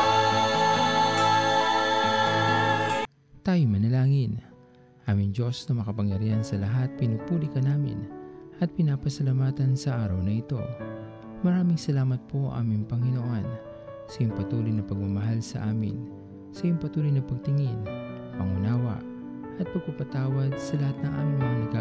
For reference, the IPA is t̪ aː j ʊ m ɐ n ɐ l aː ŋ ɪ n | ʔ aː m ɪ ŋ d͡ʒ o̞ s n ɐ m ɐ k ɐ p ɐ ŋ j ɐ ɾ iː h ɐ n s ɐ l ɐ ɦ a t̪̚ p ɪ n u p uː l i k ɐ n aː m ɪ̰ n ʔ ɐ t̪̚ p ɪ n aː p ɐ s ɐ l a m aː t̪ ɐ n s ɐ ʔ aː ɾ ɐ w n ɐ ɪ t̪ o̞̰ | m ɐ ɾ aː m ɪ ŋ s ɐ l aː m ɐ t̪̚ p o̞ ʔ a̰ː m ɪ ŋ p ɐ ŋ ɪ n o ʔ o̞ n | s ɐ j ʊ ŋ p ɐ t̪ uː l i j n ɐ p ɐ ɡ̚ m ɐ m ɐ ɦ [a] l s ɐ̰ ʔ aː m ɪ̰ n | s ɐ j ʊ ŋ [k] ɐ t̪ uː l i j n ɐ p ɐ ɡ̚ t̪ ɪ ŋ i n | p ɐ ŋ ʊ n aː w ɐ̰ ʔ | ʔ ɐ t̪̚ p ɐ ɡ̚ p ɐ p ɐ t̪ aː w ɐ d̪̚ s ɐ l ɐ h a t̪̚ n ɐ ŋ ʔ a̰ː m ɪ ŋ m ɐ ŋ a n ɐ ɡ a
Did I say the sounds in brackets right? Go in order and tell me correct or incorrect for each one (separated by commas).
correct, incorrect